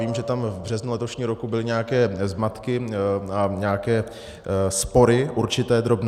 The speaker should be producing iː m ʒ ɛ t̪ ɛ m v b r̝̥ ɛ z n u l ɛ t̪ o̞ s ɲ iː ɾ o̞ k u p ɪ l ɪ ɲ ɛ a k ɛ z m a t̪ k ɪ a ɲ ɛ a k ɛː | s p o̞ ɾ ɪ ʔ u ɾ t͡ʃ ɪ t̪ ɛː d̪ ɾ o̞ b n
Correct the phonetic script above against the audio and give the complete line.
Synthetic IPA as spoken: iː m ʒ ɛ t̪ a m v b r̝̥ ɛ z n u l ɛ t̪ o̞ ʃ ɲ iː ɾ o̞ k u b ɪ l ɪ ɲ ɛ a k ɛː z m a t̪ k ɪ a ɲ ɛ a k ɛː | s p o̞ ɾ ɪ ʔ u ɾ t͡ʃ ɪ t̪ ɛː d̪ ɾ o̞ b n